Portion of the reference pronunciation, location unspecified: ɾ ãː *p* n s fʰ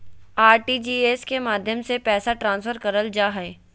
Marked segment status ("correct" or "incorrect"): incorrect